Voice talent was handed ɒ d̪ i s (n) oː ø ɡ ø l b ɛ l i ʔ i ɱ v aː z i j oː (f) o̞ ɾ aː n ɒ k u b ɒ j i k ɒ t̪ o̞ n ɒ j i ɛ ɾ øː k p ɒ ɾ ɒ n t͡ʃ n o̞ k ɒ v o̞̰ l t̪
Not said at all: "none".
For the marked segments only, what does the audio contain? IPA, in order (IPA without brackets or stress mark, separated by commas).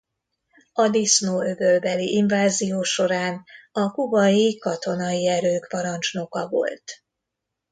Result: n, ʃ